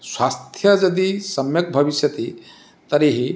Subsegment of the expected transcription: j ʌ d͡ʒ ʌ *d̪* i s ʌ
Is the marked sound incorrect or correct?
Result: correct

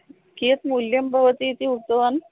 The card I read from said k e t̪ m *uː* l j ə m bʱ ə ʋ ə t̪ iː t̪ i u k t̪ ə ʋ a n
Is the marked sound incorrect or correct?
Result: incorrect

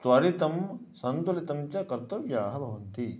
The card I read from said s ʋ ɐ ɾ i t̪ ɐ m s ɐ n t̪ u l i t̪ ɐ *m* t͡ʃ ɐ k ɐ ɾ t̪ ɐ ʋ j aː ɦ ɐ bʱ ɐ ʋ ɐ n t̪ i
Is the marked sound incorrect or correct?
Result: correct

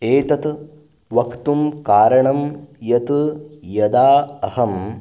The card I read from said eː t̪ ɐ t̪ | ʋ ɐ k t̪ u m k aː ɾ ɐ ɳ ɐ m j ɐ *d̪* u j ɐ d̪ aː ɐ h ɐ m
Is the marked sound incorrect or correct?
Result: incorrect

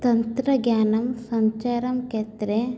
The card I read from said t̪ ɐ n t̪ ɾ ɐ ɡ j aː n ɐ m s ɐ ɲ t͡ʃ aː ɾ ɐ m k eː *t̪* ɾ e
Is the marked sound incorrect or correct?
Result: correct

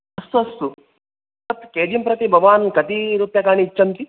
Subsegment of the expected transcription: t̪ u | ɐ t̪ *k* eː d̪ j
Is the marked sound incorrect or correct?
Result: correct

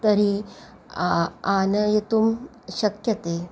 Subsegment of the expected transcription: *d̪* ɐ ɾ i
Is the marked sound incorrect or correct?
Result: incorrect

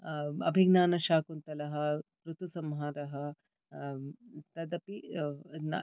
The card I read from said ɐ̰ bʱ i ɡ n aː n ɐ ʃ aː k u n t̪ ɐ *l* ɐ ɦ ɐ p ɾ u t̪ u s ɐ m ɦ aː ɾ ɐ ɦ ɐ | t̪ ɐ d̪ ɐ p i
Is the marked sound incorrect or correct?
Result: correct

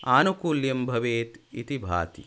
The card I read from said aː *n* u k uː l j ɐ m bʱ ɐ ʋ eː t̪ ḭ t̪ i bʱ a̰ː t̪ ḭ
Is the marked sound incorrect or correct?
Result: correct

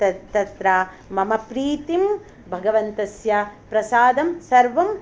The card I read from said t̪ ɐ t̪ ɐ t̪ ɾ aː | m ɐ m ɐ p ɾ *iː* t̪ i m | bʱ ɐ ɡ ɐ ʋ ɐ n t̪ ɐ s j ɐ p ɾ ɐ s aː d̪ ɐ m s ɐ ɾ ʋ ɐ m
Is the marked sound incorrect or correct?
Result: correct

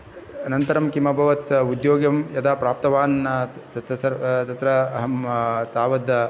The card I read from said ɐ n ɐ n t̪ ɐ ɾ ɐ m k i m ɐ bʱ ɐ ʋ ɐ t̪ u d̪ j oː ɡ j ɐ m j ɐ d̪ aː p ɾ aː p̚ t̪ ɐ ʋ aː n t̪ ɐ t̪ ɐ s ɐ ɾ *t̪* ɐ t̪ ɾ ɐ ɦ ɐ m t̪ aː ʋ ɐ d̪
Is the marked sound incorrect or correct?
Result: correct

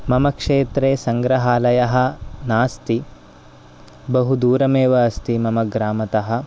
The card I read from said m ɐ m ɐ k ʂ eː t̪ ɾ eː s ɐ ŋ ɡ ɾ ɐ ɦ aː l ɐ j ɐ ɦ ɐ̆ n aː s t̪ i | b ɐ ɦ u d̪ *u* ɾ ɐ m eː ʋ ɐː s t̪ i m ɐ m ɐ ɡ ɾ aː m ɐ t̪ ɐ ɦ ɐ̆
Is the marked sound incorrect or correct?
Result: incorrect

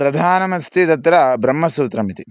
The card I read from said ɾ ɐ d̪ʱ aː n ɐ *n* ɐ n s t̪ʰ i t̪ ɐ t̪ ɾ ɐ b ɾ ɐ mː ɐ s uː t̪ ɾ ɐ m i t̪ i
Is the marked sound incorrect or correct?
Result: incorrect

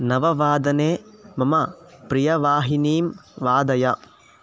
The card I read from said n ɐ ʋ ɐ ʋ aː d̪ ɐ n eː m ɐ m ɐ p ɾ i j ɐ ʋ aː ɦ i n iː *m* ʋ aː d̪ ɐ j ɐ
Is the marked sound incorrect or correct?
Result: correct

